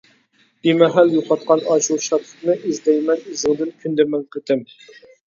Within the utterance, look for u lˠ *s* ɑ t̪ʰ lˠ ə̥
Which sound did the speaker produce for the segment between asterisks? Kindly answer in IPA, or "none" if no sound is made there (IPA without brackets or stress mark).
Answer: ʃ